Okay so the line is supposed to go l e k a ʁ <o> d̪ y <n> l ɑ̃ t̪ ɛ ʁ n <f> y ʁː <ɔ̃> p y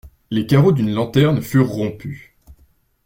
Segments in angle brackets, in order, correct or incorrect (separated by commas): correct, correct, correct, correct